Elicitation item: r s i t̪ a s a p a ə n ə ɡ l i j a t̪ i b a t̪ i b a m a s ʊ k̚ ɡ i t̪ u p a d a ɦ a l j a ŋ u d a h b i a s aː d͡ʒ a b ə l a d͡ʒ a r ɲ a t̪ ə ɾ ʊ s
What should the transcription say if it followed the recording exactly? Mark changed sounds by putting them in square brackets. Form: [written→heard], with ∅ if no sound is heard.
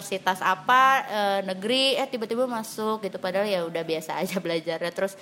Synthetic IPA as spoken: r s i t̪ a s a p a ə n ə ɡ [l→ɾ] i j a t̪ i b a t̪ i b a m a s ʊ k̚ ɡ i t̪ u p a d a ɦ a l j a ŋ u d a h b i a s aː d͡ʒ a b ə l a d͡ʒ a r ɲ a t̪ ə ɾ ʊ s